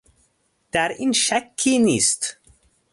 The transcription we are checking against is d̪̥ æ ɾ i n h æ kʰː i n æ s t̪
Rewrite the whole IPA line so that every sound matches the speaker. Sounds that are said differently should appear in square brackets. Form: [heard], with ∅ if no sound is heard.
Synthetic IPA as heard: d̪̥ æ ɾ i n [ʃ] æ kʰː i n [i] s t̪